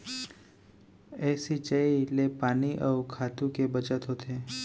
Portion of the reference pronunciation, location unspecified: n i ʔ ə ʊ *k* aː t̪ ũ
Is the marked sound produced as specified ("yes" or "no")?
no